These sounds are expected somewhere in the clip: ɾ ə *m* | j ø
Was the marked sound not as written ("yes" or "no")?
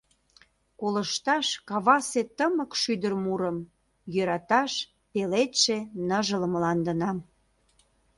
no